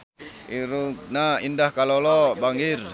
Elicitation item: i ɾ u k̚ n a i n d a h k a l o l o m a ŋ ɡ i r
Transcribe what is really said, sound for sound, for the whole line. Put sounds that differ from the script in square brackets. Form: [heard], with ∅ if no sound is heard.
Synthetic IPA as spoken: i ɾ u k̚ n a i n d a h k a l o l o [b] a ŋ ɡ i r